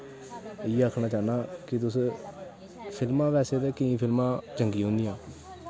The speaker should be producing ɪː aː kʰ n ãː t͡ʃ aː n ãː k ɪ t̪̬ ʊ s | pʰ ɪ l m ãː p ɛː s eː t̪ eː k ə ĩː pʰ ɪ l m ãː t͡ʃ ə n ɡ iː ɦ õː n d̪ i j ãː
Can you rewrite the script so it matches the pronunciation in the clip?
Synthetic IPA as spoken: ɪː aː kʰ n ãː t͡ʃ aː n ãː k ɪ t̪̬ ʊ s | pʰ ɪ l m ãː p ɛː s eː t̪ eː k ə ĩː pʰ ɪ l m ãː t͡ʃ ə ŋ ɡ iː ɦ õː n d̪ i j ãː